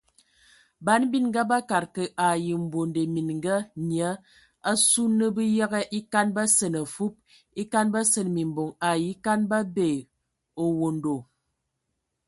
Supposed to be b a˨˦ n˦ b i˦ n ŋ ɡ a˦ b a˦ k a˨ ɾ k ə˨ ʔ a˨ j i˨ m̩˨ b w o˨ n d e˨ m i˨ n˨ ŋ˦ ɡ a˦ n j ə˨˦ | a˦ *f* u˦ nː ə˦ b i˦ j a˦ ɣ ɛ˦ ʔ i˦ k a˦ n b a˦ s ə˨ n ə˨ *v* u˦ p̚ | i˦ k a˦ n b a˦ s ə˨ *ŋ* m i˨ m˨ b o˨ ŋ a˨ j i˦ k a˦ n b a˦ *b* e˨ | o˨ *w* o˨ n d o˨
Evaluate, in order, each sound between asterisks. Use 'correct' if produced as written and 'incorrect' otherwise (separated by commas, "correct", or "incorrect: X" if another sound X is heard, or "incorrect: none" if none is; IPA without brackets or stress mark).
incorrect: s, incorrect: f, incorrect: n, correct, correct